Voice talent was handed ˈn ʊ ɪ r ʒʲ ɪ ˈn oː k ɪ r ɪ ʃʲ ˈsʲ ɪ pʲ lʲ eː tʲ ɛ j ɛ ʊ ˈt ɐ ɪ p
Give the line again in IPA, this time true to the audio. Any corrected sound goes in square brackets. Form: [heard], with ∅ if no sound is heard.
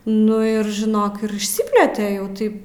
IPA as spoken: ˈn ʊ ɪ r ʒʲ ɪ ˈn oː k ɪ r ɪ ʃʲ ˈsʲ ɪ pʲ lʲ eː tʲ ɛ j ɛ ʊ ˈt ɐ ɪ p